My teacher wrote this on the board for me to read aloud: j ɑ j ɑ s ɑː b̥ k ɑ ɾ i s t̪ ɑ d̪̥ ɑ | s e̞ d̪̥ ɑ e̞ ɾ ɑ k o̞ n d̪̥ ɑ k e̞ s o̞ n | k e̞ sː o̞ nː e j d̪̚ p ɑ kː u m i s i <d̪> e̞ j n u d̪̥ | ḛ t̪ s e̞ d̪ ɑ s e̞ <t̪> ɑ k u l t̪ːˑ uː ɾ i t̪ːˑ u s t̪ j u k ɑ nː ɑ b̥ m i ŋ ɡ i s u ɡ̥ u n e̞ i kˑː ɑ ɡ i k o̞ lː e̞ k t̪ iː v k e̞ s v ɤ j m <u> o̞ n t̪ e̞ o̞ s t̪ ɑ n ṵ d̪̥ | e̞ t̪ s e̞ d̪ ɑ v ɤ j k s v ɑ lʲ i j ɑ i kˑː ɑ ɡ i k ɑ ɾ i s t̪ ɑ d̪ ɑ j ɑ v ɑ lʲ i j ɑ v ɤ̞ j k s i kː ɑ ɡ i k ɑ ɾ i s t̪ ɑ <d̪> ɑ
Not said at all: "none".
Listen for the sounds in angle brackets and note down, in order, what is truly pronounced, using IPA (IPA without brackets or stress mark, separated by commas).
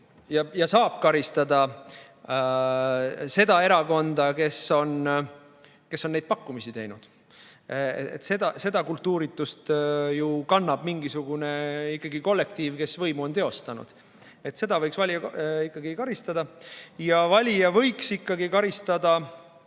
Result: t̪, d̪, u, d̪